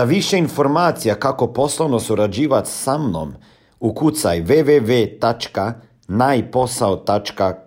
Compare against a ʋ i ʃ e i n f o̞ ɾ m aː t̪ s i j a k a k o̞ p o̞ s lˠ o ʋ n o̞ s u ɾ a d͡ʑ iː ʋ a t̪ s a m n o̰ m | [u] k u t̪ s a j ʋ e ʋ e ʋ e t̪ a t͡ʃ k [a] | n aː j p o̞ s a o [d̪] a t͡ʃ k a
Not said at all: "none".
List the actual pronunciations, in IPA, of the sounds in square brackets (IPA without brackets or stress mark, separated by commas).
u, a, t̪